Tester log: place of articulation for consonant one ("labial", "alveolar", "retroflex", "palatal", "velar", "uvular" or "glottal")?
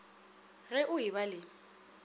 velar